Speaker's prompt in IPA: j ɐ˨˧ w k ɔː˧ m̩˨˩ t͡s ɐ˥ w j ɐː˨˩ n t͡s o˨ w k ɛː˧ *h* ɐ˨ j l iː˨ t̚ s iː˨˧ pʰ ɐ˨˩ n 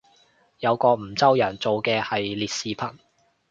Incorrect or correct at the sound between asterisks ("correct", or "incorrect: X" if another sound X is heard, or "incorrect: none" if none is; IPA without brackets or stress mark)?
correct